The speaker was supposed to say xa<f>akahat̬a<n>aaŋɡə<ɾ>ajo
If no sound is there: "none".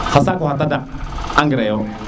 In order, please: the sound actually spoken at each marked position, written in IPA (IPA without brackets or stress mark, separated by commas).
s, d, ɾ